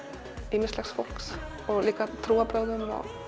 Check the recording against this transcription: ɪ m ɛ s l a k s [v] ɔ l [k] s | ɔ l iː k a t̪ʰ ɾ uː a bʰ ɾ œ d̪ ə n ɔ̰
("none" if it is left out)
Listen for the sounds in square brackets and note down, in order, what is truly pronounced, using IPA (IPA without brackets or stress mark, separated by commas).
f, k